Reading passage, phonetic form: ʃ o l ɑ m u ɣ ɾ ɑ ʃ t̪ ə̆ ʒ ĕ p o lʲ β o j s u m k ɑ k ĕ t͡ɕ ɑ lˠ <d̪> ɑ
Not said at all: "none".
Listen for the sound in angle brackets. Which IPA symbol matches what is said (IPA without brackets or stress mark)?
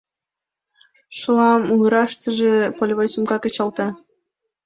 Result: t̪